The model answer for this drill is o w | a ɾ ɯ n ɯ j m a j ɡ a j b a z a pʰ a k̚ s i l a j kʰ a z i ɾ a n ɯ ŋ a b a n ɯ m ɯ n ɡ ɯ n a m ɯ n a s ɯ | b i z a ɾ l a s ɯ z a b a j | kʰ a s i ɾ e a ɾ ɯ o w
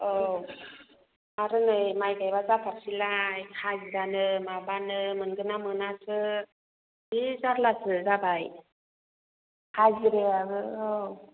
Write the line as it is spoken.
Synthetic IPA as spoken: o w | a ɾ ɯ n ɯ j m a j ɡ a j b a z a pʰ a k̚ s i l a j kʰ a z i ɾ a n ɯ m a b a n ɯ m ɯ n ɡ ɯ n a m ɯ n a s ɯ | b i z a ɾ l a s ɯ z a b a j | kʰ a z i ɾ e a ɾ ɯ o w